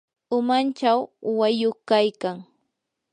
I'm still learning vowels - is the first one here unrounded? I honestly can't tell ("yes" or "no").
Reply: no